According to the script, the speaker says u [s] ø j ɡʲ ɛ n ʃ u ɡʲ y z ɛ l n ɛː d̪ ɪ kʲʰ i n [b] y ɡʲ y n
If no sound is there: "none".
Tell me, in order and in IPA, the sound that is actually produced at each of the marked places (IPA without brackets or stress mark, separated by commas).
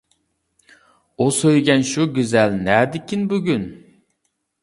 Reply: s, b